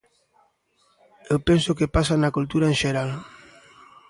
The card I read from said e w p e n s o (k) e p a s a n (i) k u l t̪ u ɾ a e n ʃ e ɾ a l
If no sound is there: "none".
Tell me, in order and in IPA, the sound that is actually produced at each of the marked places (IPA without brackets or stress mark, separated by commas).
k, a